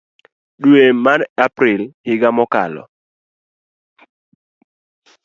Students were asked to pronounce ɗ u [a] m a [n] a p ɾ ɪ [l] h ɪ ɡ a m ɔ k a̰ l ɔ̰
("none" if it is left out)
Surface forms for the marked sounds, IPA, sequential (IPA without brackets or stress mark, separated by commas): e, n, l